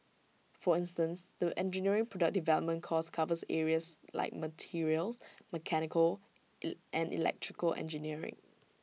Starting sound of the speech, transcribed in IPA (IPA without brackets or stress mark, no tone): f